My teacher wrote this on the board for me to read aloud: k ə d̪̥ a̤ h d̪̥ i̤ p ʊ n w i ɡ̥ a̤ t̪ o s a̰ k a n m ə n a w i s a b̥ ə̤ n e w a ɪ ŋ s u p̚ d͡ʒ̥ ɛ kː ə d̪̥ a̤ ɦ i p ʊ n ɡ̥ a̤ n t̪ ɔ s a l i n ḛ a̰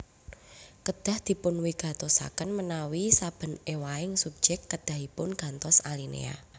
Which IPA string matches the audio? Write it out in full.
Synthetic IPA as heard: k ə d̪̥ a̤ h d̪̥ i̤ p ʊ n w i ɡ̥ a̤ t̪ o s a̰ k ə n m ə n a w i s a b̥ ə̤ n e w a ɪ ŋ s u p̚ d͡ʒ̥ ɛ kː ə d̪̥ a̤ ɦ i p ʊ n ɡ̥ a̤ n t̪ ɔ s a l i n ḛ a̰